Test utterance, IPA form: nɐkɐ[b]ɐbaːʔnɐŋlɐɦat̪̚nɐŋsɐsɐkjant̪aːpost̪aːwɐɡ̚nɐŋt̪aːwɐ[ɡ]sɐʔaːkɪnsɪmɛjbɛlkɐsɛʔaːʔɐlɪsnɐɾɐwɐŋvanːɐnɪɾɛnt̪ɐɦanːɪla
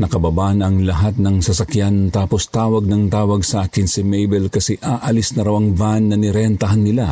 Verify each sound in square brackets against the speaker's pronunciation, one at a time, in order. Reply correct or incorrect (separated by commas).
correct, correct